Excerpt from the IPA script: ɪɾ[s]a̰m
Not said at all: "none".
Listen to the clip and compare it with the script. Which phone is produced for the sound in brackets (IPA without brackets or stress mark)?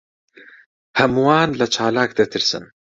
s